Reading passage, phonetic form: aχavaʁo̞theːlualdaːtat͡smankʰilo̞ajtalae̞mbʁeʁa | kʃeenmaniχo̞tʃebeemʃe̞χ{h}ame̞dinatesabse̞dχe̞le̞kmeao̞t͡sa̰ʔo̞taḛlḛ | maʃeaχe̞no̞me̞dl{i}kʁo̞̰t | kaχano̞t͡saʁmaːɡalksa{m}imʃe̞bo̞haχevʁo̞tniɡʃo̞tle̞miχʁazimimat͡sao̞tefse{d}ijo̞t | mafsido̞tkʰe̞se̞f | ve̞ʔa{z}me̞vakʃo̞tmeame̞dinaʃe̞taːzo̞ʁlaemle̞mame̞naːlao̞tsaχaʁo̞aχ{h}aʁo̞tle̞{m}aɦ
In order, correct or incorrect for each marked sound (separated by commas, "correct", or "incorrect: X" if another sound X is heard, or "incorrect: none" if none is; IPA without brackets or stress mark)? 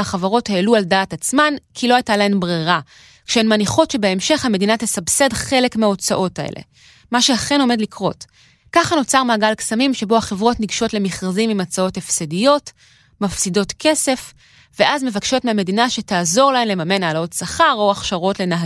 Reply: correct, correct, correct, correct, correct, incorrect: ʃ, incorrect: n